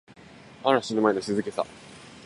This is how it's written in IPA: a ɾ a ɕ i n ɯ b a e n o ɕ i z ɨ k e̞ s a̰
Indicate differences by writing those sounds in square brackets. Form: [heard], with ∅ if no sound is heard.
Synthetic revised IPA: a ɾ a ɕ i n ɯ [m] a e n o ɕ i z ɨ k e̞ s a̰